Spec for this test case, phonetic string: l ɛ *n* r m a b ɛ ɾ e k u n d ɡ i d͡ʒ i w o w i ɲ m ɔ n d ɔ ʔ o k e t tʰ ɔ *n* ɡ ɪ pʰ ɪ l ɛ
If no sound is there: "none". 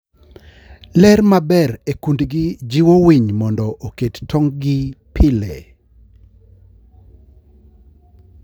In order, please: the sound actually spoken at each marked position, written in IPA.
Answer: none, ŋ

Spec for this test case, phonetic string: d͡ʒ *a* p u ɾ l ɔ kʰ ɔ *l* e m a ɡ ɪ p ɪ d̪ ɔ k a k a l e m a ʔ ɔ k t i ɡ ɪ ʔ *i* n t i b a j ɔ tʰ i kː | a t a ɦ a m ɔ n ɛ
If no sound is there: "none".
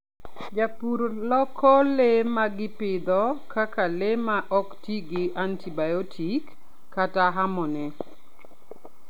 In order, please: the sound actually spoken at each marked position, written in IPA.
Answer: a, l, a

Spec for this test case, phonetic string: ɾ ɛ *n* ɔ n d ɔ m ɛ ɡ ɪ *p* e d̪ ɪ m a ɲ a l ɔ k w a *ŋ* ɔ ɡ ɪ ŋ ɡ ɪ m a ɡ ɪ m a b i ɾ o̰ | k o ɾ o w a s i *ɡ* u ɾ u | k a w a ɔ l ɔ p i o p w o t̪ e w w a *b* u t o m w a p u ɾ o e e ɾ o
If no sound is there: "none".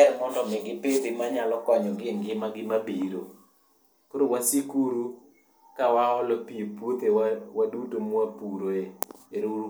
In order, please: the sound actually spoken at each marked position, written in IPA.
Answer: m, p, ɲ, k, d

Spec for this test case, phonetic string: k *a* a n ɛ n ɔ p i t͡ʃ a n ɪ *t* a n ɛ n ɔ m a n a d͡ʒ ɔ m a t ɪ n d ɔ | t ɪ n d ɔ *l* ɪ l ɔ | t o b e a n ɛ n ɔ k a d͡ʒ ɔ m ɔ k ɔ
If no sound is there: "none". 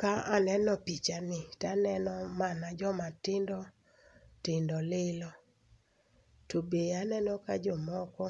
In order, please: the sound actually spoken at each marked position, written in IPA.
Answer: a, t, l

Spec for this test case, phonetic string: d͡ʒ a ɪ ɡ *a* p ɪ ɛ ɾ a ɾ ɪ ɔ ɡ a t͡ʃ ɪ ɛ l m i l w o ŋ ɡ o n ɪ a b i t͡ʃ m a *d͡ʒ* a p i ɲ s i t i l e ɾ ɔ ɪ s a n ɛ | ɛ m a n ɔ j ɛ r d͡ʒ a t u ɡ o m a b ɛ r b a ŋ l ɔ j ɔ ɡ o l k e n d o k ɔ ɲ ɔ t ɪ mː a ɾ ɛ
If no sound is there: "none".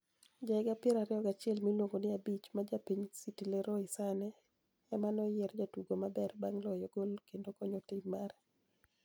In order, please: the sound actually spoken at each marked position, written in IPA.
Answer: a, d͡ʒ

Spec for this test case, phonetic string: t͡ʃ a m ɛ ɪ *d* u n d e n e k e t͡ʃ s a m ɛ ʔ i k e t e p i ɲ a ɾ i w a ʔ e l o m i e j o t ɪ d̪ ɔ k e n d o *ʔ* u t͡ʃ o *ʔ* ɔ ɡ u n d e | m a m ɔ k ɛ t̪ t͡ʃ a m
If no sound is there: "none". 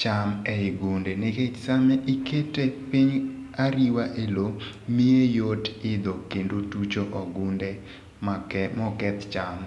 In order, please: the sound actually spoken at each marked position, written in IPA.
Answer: ɡ, t, ʔ

